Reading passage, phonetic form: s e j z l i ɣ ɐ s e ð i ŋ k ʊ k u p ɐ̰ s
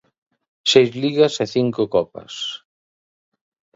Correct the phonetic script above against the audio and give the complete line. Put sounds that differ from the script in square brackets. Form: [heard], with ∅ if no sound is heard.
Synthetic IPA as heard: s e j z l i ɣ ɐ s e [θ] i ŋ k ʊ k [ɔ] p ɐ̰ s